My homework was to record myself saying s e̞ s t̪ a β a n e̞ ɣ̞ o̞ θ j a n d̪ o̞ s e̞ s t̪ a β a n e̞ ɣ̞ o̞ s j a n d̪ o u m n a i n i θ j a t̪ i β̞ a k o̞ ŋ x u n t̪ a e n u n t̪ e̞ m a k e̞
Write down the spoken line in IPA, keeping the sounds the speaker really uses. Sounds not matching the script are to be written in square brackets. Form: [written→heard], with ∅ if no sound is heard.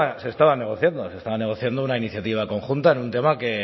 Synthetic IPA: s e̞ s t̪ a β a n e̞ ɣ̞ o̞ θ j a n d̪ o̞ s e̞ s t̪ a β a n e̞ ɣ̞ o̞ [s→θ] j a n d̪ o u [m→∅] n a i n i θ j a t̪ i β̞ a k o̞ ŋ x u n t̪ a e n u n t̪ e̞ m a k e̞